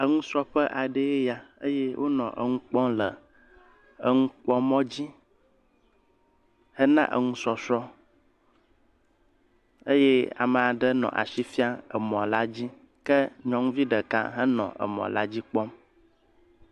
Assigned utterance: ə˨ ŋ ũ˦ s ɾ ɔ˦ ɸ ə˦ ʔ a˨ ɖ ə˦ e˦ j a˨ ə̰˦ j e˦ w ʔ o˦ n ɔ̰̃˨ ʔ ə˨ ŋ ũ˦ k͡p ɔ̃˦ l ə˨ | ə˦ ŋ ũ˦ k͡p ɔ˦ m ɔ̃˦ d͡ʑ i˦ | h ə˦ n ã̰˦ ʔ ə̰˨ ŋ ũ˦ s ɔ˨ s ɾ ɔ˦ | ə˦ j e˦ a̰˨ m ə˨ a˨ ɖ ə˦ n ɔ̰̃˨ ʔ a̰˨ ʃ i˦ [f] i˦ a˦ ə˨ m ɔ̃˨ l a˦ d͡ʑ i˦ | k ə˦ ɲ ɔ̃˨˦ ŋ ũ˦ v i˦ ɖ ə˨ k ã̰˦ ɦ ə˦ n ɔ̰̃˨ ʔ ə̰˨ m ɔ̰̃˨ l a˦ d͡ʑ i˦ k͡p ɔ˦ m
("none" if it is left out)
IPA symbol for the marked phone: f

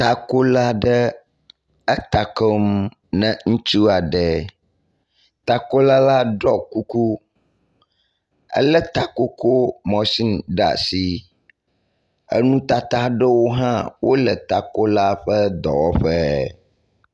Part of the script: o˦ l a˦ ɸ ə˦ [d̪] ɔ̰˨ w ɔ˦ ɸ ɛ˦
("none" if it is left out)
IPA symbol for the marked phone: d̪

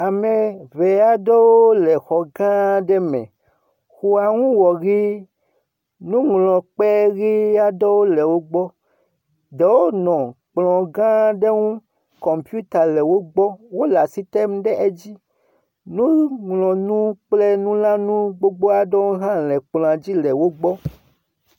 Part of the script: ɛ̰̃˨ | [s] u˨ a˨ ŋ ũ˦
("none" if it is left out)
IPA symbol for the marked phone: x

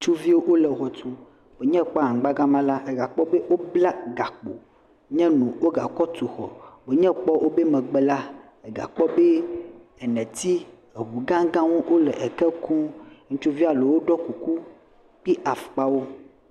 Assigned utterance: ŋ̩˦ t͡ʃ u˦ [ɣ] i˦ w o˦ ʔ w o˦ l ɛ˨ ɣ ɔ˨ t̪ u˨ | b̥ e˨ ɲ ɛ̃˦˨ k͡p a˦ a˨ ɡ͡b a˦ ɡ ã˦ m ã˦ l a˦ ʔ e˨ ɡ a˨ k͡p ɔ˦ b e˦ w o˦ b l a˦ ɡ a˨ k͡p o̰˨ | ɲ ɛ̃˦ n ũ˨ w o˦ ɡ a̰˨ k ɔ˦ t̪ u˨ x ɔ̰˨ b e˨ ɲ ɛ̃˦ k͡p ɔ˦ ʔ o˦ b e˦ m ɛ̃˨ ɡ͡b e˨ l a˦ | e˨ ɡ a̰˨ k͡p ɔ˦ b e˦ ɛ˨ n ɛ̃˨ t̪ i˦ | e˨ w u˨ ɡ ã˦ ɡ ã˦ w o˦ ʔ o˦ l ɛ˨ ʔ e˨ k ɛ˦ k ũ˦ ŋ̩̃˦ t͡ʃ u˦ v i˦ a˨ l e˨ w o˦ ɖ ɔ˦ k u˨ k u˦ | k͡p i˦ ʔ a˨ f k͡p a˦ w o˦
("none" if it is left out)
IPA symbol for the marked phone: v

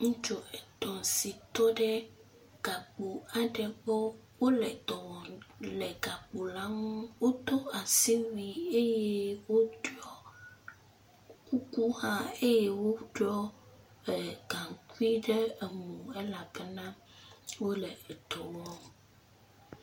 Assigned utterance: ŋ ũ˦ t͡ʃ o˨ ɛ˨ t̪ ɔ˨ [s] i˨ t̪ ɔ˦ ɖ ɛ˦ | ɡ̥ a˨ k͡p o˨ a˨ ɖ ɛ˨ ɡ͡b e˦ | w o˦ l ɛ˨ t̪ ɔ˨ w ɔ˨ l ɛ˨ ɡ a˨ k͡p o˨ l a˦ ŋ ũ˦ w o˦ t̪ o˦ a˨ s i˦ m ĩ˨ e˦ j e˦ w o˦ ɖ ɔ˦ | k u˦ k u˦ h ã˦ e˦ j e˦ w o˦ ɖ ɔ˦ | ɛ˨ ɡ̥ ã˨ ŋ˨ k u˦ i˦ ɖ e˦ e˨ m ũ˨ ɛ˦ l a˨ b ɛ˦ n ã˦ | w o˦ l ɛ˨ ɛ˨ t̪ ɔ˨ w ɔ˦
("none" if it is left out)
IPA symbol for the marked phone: s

